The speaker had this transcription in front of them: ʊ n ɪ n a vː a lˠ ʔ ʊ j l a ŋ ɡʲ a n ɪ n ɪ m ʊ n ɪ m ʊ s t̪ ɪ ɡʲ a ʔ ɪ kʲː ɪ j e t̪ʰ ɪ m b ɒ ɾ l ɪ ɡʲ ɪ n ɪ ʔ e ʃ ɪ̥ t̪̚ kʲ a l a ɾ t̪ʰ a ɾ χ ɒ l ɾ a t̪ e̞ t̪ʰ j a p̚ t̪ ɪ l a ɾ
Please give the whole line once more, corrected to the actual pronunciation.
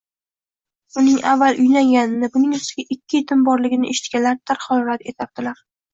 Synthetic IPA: ʊ n ɪ ŋ a vː a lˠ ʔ ʊ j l a ŋ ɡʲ a n ɪ n ɪ b ʊ n ɪ ŋ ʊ s t̪ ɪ ɡʲ a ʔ ɪ kʲː ɪ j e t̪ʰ ɪ m b ɒ ɾ l ɪ ɡʲ ɪ n ɪ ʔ e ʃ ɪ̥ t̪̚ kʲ a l a ɾ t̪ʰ a ɾ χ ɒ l ɾ a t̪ e̞ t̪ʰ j a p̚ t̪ ɪ l a ɾ